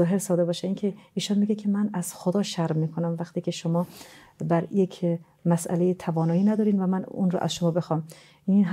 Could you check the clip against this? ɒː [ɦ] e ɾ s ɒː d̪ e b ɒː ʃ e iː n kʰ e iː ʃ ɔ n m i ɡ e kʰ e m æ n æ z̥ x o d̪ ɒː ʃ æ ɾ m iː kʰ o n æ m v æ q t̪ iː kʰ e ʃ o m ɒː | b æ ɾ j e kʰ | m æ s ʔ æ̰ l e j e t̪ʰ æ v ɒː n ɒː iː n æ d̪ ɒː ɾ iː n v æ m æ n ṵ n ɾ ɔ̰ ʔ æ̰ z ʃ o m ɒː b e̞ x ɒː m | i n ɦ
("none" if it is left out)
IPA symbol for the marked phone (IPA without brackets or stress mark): ɦ